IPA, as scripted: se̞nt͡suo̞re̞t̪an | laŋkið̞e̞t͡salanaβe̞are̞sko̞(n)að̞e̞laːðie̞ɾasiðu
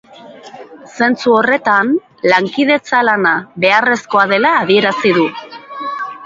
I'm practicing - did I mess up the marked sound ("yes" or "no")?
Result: yes